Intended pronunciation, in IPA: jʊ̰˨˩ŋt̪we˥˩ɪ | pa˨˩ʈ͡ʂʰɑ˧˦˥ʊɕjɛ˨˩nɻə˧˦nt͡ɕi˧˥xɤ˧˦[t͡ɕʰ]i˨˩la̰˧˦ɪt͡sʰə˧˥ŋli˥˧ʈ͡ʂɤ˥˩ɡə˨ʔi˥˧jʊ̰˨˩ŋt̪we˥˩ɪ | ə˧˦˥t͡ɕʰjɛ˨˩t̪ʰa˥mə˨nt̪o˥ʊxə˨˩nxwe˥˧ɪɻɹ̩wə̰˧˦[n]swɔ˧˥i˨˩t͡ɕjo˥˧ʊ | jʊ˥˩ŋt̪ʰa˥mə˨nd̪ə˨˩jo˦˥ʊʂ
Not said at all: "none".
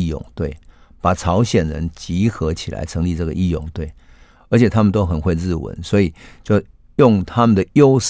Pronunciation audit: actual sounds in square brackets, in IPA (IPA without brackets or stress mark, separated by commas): t͡ɕʰ, n